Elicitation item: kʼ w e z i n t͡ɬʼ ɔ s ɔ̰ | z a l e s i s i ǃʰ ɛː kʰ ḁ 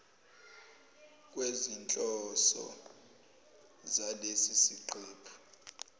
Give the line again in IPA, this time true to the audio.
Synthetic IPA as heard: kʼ w e z i n t͡ɬʼ ɔ s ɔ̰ | z a l e s i s i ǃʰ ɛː pʰ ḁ